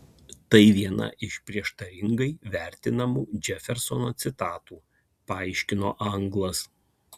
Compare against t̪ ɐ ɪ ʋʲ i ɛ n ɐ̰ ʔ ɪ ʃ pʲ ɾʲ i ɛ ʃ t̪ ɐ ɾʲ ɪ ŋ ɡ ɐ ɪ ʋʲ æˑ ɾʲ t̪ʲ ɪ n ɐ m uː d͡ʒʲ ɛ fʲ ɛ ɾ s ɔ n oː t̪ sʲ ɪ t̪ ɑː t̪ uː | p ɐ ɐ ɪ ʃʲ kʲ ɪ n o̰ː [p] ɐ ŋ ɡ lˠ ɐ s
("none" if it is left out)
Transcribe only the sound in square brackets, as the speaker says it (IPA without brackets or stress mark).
ʔ